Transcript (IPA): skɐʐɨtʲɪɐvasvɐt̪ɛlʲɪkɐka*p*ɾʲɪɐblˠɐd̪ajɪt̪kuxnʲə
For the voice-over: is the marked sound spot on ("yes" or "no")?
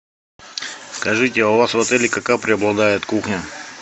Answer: yes